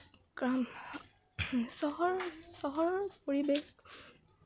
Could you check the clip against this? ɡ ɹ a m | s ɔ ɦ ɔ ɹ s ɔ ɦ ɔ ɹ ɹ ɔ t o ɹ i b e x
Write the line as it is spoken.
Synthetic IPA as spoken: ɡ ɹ a m | s ɔ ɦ ɔ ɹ s ɔ ɦ ɔ ɹ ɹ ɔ p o ɹ i b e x